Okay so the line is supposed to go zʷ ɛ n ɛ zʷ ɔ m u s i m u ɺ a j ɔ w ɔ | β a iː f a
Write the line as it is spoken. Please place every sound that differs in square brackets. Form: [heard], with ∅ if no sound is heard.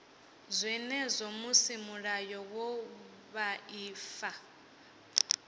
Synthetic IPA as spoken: zʷ ɛ n ɛ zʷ ɔ m u s i m u ɺ a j ɔ w ɔ | β a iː f a